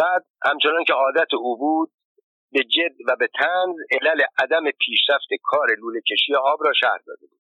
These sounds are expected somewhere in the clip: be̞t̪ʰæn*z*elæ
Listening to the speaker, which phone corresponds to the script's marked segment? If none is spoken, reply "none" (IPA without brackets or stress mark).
z